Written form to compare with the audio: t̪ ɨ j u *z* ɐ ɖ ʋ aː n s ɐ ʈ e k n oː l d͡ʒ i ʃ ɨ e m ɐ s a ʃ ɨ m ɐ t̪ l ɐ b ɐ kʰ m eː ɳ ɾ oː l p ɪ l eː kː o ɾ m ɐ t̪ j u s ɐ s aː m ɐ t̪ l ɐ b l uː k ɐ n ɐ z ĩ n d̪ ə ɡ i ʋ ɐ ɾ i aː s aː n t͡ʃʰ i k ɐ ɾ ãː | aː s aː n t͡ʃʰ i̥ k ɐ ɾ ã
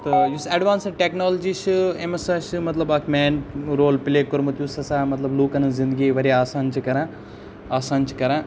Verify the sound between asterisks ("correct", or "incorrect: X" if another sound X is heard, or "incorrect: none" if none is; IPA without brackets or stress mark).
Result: incorrect: s